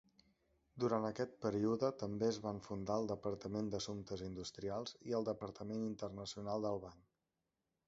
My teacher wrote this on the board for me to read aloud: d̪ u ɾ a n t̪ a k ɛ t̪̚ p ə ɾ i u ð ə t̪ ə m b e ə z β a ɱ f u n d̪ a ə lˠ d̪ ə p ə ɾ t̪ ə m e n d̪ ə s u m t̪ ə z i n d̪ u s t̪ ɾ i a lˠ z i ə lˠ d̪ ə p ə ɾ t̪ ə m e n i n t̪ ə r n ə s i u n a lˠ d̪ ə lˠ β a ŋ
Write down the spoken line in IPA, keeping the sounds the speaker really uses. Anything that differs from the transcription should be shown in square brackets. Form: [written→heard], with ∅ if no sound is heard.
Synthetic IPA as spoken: d̪ u ɾ a n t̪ [a→ə] k ɛ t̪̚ p ə ɾ i u ð ə t̪ ə m b e ə z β a ɱ f u n d̪ a ə lˠ d̪ ə p ə ɾ t̪ ə m e n d̪ ə s u m t̪ ə z i n d̪ u s t̪ ɾ i a lˠ z i ə lˠ d̪ ə p ə ɾ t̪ ə m e n i n t̪ ə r n ə s i u n a lˠ d̪ ə lˠ β a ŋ